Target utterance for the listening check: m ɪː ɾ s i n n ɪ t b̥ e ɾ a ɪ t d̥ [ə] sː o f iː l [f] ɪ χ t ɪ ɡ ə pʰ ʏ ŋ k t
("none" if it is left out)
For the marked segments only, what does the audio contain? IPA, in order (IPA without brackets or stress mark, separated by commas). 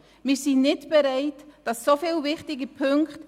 ɑ, v